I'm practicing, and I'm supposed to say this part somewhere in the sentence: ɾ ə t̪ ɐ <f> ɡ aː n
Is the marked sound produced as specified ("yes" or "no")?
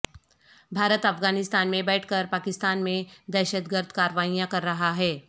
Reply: yes